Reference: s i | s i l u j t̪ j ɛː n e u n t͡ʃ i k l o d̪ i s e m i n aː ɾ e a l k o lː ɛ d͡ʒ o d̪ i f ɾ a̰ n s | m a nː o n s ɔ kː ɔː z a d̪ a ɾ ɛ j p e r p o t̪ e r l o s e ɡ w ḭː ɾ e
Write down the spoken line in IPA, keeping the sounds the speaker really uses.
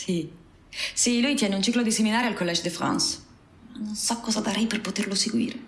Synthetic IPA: s i | s i l u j t̪ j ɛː n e u n t͡ʃ i k l o d̪ i s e m i n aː ɾ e a l k o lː ɛ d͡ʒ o d̪ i f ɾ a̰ n s | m a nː o n s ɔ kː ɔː z a d̪ a ɾ ɛ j p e r p o t̪ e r l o s e ɡ w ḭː ɾ e